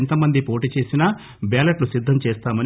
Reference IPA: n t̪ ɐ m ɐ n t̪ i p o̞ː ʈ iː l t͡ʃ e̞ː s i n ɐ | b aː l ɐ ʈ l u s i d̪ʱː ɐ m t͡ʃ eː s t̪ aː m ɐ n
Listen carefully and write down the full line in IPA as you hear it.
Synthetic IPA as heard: n t̪ ɐ m ɐ n d̪ i p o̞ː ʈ iː t͡ʃ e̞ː s i n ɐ | b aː l ɐ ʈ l u s i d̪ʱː ɐ m t͡ʃ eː s t̪ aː m ɐ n